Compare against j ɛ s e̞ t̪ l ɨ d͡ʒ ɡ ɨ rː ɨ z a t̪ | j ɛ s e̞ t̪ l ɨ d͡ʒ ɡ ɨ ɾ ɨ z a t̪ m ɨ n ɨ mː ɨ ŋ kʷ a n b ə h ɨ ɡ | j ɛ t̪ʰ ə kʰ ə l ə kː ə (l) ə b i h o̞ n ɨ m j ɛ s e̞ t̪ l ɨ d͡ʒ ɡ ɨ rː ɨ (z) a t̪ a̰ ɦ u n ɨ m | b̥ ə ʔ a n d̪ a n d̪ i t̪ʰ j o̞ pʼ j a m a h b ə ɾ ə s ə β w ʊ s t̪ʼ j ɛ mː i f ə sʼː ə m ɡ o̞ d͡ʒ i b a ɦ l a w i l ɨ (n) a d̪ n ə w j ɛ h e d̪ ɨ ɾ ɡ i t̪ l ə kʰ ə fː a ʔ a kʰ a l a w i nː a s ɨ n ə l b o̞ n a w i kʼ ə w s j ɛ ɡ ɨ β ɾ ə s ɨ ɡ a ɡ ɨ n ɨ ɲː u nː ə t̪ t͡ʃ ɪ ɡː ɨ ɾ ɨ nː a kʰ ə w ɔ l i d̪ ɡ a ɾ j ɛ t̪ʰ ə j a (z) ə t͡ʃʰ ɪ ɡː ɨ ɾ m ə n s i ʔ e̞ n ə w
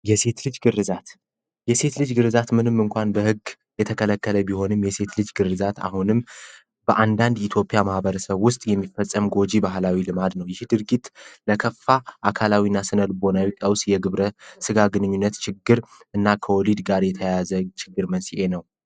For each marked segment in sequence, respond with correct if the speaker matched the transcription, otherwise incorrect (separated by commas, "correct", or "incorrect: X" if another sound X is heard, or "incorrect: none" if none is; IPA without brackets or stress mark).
correct, correct, incorrect: m, correct